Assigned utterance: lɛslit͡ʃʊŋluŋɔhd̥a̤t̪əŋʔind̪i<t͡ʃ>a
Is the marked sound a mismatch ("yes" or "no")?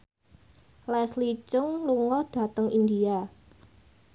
yes